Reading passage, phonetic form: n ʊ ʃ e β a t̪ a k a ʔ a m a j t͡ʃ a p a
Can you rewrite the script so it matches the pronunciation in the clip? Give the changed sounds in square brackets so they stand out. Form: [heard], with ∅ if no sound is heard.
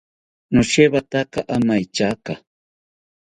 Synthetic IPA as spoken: n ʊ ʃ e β a t̪ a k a ʔ a m a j t͡ʃ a [k] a